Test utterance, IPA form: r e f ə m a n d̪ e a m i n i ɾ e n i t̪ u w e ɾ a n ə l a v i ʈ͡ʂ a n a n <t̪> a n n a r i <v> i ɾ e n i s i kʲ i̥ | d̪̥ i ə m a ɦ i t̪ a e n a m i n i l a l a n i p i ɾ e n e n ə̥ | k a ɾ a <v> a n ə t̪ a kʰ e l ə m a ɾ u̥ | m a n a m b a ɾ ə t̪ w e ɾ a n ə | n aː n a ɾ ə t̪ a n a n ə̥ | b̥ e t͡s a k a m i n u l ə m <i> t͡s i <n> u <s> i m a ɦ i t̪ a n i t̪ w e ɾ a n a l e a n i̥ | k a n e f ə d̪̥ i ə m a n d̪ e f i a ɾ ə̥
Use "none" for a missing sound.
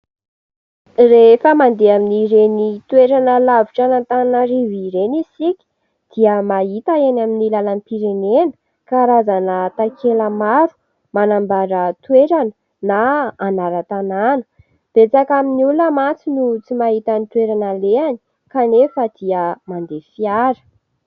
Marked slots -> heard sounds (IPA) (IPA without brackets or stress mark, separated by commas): t̪, v, z, a, n, t͡s